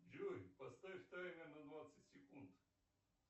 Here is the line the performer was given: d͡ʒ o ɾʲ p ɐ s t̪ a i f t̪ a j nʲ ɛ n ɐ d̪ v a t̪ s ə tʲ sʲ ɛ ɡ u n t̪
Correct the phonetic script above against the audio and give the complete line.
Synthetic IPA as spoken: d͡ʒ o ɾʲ p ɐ s t̪ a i f t̪ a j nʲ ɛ n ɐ d̪ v a t̪ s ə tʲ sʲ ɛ k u n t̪